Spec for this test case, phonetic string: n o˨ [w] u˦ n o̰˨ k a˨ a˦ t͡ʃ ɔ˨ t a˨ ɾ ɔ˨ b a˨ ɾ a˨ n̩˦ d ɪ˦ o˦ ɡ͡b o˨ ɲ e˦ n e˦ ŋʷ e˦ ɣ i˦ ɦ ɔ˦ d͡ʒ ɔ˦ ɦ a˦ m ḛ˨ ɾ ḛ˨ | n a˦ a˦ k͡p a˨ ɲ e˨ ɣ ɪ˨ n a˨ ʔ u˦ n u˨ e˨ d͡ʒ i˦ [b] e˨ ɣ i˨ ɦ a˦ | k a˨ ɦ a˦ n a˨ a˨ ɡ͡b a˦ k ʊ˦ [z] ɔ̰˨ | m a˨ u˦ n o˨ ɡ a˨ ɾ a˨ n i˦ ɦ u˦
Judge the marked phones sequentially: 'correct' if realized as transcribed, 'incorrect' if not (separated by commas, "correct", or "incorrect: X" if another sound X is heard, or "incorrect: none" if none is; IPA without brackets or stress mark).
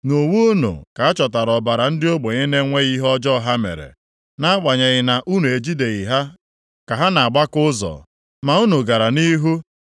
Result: correct, incorrect: d, correct